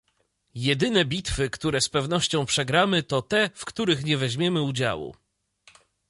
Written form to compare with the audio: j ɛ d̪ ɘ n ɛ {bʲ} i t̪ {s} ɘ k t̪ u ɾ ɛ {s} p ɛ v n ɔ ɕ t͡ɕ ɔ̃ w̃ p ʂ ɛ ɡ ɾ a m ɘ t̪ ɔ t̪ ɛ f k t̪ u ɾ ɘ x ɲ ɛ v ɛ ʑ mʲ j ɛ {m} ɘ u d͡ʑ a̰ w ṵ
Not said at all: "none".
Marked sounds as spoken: bʲ, f, s, m

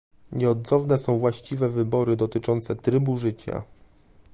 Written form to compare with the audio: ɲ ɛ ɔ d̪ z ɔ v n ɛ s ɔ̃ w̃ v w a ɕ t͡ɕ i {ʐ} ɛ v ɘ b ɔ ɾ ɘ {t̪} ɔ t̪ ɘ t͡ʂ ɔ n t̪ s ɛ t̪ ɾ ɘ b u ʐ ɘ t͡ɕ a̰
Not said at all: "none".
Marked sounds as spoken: v, d̪

